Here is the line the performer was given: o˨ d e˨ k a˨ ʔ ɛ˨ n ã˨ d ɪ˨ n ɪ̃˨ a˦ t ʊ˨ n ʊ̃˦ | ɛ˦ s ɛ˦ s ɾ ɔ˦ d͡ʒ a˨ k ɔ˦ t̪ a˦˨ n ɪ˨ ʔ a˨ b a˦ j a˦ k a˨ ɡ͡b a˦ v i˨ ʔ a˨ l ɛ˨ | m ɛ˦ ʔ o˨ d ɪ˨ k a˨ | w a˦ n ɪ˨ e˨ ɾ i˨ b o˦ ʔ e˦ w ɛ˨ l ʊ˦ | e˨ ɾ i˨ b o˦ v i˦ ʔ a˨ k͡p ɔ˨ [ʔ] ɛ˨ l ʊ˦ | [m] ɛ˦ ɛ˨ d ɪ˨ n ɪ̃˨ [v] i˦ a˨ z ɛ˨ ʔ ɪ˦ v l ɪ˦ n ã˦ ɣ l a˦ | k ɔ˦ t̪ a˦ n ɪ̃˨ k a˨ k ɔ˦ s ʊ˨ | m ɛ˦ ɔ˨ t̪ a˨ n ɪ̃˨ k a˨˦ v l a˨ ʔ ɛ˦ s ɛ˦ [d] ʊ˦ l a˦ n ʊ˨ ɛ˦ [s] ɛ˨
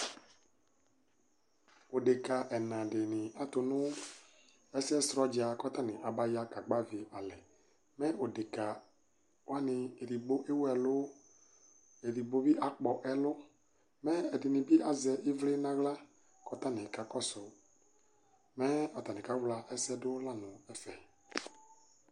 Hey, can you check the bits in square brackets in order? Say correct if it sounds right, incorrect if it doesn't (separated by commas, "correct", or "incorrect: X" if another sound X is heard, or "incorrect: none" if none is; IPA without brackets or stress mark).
correct, correct, incorrect: b, correct, incorrect: f